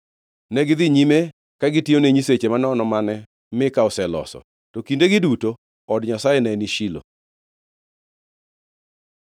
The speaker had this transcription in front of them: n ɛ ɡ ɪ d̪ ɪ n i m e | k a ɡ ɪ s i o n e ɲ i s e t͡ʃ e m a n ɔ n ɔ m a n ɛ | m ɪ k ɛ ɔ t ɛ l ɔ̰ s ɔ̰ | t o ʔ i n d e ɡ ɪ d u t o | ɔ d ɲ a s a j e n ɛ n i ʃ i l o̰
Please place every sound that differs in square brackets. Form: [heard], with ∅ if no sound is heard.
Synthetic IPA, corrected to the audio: n ɛ ɡ ɪ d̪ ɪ [ɲ] i m e | k a ɡ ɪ [t] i o n e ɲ i s e t͡ʃ e m a n ɔ n ɔ m a n ɛ | m ɪ k [a] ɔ [s] ɛ l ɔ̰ s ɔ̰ | t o [k] i n d e ɡ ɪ d u t o | ɔ d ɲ a s a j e n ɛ n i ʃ i l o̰